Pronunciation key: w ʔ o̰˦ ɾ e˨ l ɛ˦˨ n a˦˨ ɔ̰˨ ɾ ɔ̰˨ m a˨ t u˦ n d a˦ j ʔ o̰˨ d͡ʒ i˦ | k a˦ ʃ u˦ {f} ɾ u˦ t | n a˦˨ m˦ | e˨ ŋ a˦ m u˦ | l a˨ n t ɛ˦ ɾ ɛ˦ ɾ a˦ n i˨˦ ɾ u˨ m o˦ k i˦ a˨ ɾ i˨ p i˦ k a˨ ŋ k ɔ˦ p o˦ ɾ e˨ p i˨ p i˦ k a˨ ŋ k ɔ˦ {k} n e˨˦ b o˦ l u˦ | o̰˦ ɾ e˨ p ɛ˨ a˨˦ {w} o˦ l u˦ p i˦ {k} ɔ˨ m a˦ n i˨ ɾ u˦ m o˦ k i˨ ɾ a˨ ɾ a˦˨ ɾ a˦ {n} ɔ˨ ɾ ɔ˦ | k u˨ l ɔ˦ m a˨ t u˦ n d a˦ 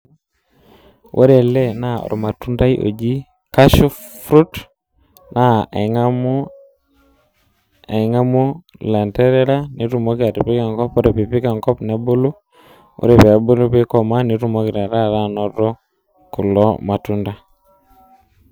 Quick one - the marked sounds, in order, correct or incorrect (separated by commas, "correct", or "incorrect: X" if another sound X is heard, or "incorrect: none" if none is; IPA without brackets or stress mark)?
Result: correct, incorrect: p, incorrect: b, correct, correct